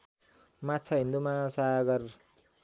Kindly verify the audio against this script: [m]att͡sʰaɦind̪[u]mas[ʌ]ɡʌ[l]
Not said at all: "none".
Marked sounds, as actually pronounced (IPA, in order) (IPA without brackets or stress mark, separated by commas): m, u, a, r